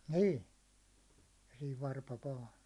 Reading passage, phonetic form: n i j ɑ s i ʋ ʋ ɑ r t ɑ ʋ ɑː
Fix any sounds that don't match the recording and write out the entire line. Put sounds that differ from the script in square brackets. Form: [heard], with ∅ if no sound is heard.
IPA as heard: n [iː] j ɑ s [iː] ʋ ʋ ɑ r [p] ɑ ʋ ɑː